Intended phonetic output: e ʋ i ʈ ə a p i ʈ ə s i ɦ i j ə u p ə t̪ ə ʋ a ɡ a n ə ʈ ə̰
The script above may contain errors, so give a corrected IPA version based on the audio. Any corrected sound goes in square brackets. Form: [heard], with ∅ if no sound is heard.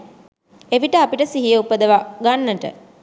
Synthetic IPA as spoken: e ʋ i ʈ ə a p i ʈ ə s i ɦ i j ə u p ə [d̪] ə ʋ a ɡ a [nː] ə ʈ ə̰